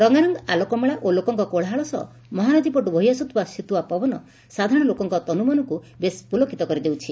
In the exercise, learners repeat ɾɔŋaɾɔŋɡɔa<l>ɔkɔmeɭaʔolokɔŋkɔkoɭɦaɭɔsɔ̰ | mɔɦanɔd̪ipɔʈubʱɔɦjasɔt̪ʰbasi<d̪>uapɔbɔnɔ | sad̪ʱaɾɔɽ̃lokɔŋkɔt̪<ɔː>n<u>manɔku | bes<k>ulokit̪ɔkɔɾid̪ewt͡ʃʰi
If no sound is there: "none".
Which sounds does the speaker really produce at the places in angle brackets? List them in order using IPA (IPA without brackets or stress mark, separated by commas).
l, t̪, ɔ, u, p